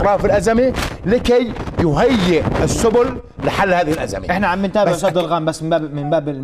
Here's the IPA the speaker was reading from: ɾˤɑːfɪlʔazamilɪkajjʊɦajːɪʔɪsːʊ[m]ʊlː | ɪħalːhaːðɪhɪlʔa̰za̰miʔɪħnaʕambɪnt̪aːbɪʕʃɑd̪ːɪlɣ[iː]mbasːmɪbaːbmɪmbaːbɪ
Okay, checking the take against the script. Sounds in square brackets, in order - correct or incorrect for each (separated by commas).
incorrect, incorrect